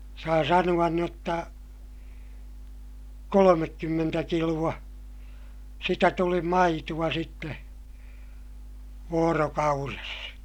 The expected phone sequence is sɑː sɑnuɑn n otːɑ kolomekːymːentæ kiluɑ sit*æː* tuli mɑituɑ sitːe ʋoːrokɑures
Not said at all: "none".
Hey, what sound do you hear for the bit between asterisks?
æ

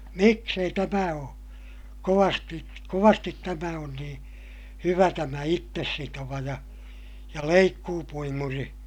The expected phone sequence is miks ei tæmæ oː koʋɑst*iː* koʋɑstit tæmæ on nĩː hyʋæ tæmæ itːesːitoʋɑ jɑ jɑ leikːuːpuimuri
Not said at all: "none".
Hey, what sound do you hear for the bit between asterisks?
i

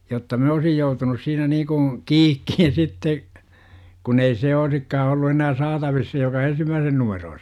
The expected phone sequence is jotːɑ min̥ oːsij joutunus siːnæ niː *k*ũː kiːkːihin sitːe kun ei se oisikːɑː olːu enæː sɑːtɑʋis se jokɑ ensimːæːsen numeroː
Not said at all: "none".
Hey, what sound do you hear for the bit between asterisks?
k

